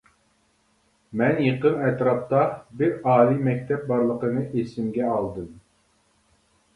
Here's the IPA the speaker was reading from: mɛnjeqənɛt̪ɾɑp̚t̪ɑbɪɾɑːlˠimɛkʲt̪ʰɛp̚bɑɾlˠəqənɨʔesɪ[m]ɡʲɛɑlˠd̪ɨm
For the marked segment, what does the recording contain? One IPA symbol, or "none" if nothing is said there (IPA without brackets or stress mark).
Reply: m